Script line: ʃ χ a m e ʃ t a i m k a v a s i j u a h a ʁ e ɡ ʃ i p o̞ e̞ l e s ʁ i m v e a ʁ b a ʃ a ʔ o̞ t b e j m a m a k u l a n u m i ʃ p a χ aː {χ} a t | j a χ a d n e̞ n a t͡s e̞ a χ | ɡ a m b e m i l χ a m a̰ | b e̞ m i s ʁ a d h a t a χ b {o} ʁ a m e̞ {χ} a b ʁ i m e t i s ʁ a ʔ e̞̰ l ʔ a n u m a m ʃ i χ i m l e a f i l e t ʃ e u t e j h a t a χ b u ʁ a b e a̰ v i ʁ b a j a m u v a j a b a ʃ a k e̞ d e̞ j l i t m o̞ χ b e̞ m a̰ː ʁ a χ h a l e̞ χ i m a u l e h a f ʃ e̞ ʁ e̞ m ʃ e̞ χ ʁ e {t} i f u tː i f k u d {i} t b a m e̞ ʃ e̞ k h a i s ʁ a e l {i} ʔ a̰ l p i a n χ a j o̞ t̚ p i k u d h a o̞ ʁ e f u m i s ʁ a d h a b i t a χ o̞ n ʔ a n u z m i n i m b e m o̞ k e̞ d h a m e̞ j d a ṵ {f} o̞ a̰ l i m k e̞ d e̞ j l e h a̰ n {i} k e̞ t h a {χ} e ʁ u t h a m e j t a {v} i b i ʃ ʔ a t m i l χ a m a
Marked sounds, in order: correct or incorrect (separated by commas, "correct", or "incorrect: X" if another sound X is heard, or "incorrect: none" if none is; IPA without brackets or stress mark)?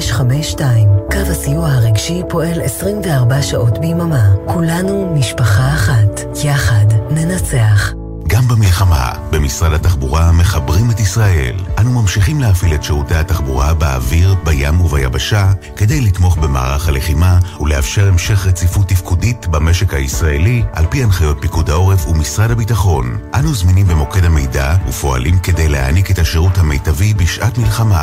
correct, incorrect: u, correct, incorrect: t͡s, correct, correct, correct, correct, incorrect: ʃ, correct